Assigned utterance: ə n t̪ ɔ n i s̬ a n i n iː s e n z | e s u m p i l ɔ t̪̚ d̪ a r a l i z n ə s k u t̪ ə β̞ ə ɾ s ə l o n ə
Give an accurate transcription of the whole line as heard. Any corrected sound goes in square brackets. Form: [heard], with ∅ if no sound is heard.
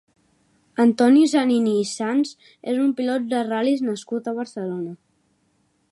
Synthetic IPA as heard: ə n t̪ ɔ n i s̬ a n i n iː s [a] n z | e [z] u m p i l ɔ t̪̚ d̪ [ə] r a l i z n ə s k u t̪ ə β̞ ə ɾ s ə l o n ə